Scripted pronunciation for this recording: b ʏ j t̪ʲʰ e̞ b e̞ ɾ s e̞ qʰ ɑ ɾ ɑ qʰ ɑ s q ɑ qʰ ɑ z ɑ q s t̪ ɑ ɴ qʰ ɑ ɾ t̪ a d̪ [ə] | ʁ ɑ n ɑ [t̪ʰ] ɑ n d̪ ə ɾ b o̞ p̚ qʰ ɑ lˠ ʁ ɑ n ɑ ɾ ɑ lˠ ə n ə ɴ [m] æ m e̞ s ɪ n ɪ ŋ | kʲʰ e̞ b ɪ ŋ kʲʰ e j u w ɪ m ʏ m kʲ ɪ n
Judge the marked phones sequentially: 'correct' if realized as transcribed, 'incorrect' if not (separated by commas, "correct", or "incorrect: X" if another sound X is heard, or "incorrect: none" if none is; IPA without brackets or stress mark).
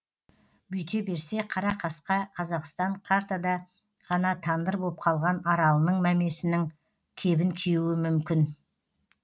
incorrect: ɑ, correct, correct